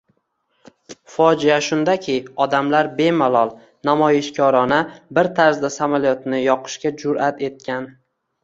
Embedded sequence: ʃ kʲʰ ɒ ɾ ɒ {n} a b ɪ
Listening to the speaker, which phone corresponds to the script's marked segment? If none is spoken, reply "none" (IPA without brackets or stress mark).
n